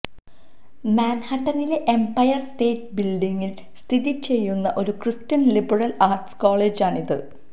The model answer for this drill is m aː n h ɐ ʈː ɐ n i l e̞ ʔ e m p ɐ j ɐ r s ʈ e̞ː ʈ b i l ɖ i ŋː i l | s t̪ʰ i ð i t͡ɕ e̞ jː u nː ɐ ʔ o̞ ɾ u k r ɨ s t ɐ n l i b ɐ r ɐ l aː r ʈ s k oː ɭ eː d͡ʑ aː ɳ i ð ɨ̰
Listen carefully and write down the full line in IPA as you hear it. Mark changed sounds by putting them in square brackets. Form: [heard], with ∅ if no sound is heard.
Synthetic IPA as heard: m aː n h ɐ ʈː ɐ n i l e̞ ʔ e m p ɐ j ɐ r s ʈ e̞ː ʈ b i l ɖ i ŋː i l | s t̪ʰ i ð i t͡ɕ e̞ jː u nː ɐ ʔ o̞ ɾ u k r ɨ s t ɐ n l i b ɐ r ɐ l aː r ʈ s k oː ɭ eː d͡ʑ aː ɳ i ð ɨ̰